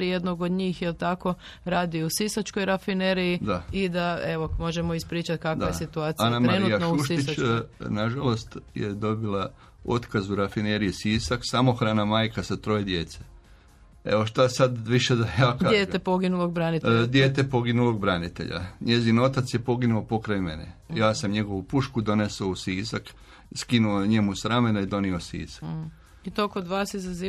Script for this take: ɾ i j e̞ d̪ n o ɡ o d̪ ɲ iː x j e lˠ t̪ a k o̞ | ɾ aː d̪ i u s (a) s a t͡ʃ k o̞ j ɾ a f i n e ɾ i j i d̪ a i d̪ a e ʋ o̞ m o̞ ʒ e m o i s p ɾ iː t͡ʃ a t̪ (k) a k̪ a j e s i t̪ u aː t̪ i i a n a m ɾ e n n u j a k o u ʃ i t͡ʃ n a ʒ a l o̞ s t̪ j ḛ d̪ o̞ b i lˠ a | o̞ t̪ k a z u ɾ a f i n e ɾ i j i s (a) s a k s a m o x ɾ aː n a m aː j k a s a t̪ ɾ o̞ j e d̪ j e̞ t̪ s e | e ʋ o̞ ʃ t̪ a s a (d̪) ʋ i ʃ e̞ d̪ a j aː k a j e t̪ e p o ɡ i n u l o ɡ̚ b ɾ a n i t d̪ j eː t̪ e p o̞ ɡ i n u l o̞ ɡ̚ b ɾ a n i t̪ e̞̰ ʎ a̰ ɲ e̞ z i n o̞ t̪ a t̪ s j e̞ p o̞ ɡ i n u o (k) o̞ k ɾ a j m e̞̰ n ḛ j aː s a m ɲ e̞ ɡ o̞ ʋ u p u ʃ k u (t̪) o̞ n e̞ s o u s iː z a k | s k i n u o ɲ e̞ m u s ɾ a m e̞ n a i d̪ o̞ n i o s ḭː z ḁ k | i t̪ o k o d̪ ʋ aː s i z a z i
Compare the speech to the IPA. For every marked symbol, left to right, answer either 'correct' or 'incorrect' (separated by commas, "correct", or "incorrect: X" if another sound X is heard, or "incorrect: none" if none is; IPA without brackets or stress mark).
incorrect: i, correct, incorrect: i, correct, incorrect: p, incorrect: d̪